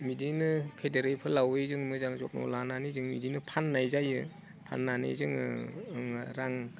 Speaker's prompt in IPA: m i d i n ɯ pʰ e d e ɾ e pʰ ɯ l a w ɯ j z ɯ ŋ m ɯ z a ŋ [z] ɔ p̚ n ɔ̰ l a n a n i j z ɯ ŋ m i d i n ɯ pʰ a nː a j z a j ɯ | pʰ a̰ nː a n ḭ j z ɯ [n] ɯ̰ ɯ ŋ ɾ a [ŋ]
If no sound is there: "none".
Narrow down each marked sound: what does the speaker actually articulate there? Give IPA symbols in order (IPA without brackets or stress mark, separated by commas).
z, ŋ, ŋ